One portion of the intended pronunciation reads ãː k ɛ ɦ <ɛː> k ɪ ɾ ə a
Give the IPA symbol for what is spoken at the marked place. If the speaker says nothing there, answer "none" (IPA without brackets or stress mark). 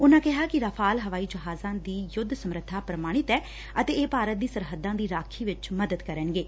aː